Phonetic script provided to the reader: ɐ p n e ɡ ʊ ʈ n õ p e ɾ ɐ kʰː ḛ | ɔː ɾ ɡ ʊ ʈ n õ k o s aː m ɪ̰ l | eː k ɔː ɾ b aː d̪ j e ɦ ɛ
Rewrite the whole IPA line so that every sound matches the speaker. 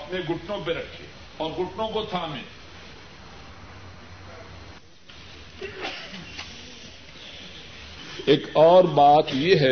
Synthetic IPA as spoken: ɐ p n e ɡ ʊ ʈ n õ p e ɾ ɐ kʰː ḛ | ɔː ɾ ɡ ʊ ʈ n õ k o s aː m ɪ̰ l | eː k ɔː ɾ b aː t̪ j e ɦ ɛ